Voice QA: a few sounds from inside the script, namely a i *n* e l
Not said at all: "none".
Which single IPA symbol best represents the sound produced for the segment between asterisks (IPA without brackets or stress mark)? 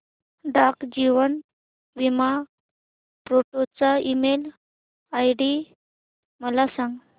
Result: m